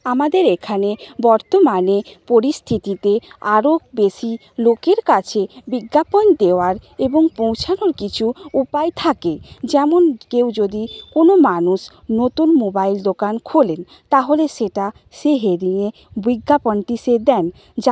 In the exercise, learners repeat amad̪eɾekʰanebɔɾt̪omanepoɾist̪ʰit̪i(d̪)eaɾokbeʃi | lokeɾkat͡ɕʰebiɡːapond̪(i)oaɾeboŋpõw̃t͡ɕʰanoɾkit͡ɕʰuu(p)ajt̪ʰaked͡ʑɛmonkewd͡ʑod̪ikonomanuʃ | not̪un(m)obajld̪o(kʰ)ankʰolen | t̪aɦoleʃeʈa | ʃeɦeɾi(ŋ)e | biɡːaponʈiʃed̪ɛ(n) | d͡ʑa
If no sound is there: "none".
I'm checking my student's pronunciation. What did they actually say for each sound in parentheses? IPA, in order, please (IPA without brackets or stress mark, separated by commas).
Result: t̪, e, p, m, k, ŋ, n